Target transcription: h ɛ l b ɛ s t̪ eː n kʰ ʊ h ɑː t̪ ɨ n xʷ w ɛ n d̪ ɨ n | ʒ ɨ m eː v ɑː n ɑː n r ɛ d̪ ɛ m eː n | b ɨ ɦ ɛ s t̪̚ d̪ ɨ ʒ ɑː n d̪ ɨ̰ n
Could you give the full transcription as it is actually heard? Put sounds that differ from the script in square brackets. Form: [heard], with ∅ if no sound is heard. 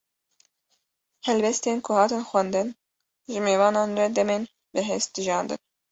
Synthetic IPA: h ɛ l b ɛ s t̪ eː n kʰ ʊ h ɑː t̪ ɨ n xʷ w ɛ n d̪ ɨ n | ʒ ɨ m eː v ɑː n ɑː n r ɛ d̪ ɛ m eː n | b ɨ ɦ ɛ s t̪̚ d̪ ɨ ʒ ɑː n d̪ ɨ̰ n

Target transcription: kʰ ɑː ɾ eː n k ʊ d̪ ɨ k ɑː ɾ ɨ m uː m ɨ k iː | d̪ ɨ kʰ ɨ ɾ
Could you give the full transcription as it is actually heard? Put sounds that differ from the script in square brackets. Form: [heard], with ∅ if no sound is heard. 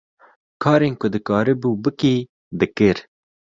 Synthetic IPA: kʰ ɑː ɾ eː n k ʊ d̪ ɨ k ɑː ɾ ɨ [b] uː [b] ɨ k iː | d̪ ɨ [k] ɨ ɾ

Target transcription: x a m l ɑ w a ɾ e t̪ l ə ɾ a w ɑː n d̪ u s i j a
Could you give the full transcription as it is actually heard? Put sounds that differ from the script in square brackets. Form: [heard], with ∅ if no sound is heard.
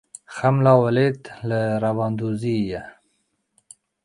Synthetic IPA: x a m l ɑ w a [l] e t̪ l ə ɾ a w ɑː n d̪ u [z] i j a

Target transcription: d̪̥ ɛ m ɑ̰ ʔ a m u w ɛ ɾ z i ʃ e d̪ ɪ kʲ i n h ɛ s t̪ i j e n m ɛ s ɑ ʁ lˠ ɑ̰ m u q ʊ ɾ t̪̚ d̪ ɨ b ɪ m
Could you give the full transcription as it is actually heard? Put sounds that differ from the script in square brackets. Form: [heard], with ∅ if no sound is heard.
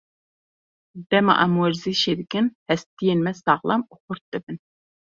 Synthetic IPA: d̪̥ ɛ m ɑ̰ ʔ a m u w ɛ ɾ z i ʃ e d̪ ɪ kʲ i n h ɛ s t̪ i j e n m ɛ s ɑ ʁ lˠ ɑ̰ m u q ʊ ɾ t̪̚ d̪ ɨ b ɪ [n]

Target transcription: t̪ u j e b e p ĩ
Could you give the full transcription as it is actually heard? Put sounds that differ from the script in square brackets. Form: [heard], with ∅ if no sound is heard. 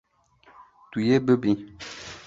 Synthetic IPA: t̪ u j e b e [b] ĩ

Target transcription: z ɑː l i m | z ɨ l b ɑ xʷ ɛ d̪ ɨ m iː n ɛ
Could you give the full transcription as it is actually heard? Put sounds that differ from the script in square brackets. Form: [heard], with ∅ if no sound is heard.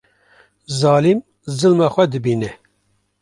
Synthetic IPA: z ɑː l i m | z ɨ l [m] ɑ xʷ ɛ d̪ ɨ [b] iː n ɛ

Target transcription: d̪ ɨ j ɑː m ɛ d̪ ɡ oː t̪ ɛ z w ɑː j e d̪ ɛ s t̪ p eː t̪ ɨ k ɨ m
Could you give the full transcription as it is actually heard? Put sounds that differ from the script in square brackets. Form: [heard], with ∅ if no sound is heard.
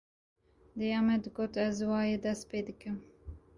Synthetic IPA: d̪ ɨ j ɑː m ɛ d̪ ɡ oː t̪ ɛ z w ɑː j e d̪ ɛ s t̪ p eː [d̪] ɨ k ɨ m

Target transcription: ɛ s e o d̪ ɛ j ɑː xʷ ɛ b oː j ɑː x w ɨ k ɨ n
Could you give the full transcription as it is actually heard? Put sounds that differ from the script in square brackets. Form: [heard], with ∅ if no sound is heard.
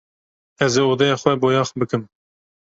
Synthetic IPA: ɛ [z] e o d̪ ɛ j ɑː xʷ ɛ b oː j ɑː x [b] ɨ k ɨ [m]

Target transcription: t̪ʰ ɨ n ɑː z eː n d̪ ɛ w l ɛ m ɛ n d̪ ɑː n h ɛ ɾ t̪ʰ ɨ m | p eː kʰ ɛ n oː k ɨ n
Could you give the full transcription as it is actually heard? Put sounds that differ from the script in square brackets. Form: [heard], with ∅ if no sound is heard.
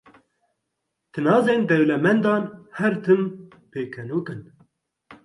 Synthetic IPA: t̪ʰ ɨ n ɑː z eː n d̪ ɛ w l ɛ m ɛ n d̪ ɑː n h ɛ ɾ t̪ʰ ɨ m | p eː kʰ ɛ n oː k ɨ n

